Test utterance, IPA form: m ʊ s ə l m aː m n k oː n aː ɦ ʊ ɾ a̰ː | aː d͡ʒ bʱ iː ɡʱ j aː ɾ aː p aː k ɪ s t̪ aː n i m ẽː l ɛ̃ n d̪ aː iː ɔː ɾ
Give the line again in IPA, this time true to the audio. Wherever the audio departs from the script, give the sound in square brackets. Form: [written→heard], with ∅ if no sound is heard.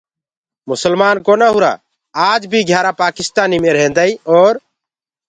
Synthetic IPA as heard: m ʊ s ə l m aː [m→∅] n k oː n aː ɦ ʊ ɾ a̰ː | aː d͡ʒ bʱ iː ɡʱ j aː ɾ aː p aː k ɪ s t̪ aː n i m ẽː [l→ɾ] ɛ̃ n d̪ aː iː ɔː ɾ